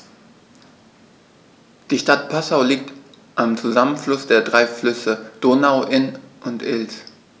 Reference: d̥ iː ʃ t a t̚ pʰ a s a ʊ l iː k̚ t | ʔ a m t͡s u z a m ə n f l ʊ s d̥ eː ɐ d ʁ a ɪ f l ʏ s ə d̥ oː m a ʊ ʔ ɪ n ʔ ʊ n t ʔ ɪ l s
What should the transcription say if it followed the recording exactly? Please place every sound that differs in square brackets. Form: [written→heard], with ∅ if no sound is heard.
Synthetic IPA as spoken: d̥ iː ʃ t a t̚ pʰ a s a ʊ l iː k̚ t | ʔ a m t͡s u z a m ə n f l ʊ s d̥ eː ɐ d ʁ a ɪ f l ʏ s ə d̥ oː [m→n] a ʊ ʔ ɪ n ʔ ʊ n t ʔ ɪ l s

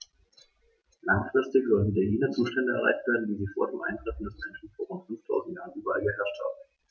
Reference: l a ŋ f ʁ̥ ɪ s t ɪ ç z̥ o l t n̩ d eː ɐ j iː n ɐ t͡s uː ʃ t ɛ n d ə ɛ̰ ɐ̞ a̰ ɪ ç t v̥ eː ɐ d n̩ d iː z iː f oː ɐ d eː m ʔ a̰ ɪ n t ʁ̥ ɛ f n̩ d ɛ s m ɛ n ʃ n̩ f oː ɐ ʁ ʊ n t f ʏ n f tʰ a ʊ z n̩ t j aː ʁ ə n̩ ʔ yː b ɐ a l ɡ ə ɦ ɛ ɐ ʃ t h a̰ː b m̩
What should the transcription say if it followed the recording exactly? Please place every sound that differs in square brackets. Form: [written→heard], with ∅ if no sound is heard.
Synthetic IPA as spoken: l a ŋ f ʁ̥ ɪ s t ɪ ç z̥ [o→ɔ] l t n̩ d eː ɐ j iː n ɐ t͡s uː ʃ t ɛ n d ə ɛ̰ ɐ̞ a̰ ɪ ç t v̥ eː ɐ d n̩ d iː z iː f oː ɐ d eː m ʔ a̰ ɪ n t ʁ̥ ɛ f n̩ d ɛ s m ɛ n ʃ n̩ f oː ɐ ʁ ʊ n t f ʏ n f tʰ a ʊ z n̩ t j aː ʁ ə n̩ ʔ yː b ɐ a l ɡ ə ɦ ɛ ɐ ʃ t h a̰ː b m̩

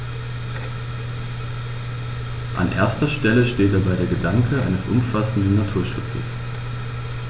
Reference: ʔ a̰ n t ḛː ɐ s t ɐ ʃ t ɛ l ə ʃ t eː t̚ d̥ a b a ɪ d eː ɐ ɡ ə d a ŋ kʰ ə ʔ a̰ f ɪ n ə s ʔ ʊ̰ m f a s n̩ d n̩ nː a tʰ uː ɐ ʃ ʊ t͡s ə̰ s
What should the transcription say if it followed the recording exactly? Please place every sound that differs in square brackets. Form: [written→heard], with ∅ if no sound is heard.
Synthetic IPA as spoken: ʔ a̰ n [t→ʔ] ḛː ɐ s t ɐ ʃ t ɛ l ə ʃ t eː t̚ d̥ a b a ɪ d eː ɐ ɡ ə d a ŋ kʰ ə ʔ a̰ [f→∅] ɪ n ə s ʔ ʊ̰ m f a s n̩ d n̩ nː a tʰ uː ɐ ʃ ʊ t͡s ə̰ s

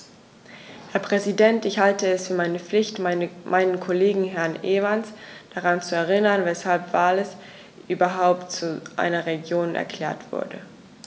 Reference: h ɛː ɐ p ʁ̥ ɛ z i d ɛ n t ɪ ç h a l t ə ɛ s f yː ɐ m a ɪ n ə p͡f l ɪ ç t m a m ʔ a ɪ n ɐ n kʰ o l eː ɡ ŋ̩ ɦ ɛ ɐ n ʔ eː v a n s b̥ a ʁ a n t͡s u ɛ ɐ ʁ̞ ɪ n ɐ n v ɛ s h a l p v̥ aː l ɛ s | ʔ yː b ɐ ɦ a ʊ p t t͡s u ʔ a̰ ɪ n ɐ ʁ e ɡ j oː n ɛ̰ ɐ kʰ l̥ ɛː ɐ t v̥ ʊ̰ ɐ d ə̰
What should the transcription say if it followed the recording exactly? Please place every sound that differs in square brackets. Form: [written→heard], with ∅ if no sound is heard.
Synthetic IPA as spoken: h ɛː ɐ p ʁ̥ ɛ z i d ɛ n t ɪ ç h a l t ə ɛ s f yː ɐ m a ɪ n ə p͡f l ɪ ç t m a m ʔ a ɪ n [ɐ→ə] n kʰ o l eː ɡ ŋ̩ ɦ ɛ ɐ n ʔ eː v a n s [b̥→d̥] a ʁ a n t͡s u ɛ ɐ ʁ̞ ɪ n ɐ n v ɛ s h a l p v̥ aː l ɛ s | ʔ yː b ɐ ɦ a ʊ p t t͡s u ʔ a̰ ɪ n ɐ ʁ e ɡ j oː n ɛ̰ ɐ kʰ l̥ ɛː ɐ t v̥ ʊ̰ ɐ d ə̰

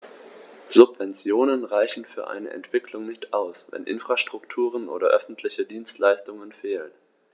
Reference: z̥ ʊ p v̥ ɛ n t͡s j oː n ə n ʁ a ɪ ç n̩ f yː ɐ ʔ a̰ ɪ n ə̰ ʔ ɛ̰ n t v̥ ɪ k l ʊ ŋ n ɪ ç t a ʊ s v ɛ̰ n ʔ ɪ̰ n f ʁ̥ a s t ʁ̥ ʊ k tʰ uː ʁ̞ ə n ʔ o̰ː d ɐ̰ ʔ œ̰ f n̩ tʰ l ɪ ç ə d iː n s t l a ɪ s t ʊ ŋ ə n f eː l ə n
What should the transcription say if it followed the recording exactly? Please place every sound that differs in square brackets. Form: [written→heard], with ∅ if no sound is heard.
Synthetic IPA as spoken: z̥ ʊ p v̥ ɛ n t͡s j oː n ə n ʁ a ɪ ç n̩ f yː ɐ ʔ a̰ ɪ n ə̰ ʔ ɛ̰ n t v̥ ɪ k l ʊ ŋ n ɪ ç t a ʊ s v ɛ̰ n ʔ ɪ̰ n f ʁ̥ a [s→ʃ] t ʁ̥ ʊ k tʰ uː ʁ̞ ə n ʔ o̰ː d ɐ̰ ʔ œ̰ f n̩ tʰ l ɪ ç ə d iː n s t l a ɪ s t ʊ ŋ ə n f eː l ə n

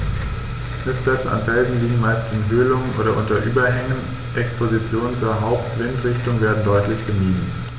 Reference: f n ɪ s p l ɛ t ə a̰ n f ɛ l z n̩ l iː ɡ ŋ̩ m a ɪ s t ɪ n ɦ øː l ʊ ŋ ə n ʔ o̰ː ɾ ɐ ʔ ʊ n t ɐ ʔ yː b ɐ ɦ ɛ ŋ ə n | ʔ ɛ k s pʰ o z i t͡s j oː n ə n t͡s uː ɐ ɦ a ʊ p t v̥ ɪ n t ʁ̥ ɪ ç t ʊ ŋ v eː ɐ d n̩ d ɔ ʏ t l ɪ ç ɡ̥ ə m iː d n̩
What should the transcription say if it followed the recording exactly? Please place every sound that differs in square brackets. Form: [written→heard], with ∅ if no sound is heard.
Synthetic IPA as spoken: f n ɪ s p l ɛ [t→t͡s] ə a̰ n f ɛ l z n̩ l iː ɡ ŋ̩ m a ɪ s t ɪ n ɦ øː l ʊ ŋ ə n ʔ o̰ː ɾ ɐ ʔ ʊ n t ɐ ʔ yː b ɐ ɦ ɛ ŋ ə n | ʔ ɛ k s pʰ o z i t͡s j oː n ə n t͡s uː ɐ ɦ a ʊ p t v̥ ɪ n t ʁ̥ ɪ ç t ʊ ŋ v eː ɐ d n̩ d ɔ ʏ t l ɪ ç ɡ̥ ə m iː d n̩

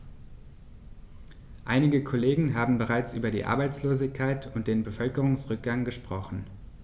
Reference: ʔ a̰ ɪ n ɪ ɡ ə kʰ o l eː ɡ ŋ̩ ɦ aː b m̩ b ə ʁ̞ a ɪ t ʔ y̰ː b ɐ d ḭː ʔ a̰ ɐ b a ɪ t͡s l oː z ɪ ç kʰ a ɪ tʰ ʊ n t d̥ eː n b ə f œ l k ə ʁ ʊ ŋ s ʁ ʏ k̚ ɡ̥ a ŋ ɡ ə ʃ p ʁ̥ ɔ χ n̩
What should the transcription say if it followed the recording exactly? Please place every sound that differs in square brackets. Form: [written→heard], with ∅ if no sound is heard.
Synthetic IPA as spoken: ʔ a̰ ɪ n ɪ ɡ ə kʰ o l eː ɡ ŋ̩ ɦ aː b m̩ b ə ʁ̞ a ɪ [t→t͡s] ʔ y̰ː b ɐ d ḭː ʔ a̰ ɐ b a ɪ t͡s l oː z ɪ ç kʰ a ɪ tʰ ʊ n t d̥ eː n b ə f œ l k ə ʁ ʊ ŋ s ʁ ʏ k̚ ɡ̥ a ŋ ɡ ə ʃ p ʁ̥ ɔ χ n̩

